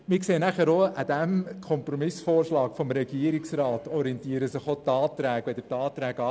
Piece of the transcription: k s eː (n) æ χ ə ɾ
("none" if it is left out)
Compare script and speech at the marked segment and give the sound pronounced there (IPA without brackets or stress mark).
n